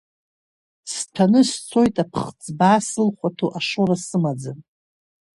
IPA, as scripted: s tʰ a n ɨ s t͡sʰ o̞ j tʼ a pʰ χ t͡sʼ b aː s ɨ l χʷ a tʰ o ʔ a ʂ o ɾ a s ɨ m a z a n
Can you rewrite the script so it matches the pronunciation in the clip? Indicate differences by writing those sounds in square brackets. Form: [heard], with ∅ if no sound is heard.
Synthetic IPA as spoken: s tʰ a n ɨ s t͡sʰ o̞ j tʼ a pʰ χ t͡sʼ b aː s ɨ l χʷ a tʰ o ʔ a ʂ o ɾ a s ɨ m a [d͡z] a n